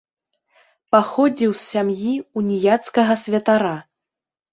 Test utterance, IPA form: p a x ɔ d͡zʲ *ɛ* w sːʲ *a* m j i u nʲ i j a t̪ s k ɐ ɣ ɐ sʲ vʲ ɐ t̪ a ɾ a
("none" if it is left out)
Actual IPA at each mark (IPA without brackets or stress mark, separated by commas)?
i, a